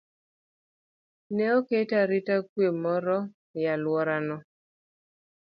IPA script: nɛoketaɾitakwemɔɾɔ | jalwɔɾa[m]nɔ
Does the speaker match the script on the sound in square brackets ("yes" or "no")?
no